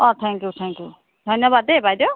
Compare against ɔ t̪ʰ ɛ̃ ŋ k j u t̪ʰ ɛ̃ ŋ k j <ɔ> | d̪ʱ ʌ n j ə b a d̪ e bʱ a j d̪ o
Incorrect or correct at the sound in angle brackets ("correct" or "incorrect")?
incorrect